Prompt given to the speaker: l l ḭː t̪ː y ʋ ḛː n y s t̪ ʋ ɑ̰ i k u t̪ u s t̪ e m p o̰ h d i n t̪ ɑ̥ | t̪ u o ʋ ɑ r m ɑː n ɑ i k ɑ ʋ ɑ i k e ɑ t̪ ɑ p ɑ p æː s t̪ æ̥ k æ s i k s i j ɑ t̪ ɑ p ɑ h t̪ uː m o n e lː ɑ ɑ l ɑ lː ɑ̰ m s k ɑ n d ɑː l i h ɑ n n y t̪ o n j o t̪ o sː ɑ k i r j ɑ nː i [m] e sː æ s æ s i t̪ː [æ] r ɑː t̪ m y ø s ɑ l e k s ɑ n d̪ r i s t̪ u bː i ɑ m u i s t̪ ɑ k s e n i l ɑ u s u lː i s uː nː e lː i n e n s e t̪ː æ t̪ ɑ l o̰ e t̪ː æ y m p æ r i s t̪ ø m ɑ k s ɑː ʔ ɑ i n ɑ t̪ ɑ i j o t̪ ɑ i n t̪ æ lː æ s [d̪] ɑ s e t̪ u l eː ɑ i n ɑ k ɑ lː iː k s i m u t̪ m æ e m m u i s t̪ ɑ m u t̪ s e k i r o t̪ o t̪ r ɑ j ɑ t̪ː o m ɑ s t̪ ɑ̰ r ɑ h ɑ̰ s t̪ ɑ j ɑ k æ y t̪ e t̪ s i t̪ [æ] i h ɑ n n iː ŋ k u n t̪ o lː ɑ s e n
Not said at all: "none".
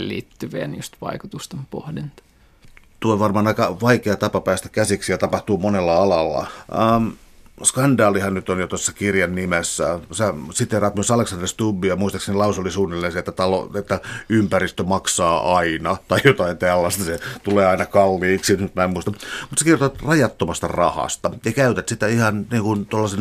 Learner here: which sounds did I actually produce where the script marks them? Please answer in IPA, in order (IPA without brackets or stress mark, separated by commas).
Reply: m, e, t̪, æ